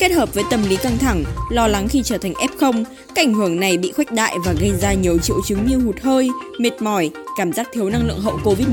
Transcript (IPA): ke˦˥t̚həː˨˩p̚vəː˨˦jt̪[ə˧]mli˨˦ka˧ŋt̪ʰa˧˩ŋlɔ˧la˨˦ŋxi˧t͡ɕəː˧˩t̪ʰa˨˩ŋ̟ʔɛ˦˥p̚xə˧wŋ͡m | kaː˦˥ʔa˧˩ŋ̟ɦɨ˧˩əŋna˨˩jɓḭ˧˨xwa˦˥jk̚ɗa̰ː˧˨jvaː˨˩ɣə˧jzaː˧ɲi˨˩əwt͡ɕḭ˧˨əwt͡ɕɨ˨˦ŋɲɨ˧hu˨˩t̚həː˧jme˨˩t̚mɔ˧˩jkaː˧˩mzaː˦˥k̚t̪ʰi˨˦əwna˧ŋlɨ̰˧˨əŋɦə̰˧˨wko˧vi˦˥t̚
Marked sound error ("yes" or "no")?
yes